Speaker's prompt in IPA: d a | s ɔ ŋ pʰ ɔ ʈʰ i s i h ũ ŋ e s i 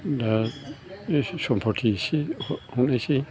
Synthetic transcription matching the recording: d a | s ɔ m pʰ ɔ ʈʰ i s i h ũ n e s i